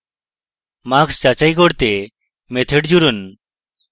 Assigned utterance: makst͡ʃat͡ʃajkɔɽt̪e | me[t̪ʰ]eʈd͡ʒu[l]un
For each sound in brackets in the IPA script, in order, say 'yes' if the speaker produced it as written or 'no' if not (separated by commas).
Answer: yes, no